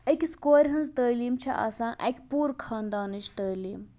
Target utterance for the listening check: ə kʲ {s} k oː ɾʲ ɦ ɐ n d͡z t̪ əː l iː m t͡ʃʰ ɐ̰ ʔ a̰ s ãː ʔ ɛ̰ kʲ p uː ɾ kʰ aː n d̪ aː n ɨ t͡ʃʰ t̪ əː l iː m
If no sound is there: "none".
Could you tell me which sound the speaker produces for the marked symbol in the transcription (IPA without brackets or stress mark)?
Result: s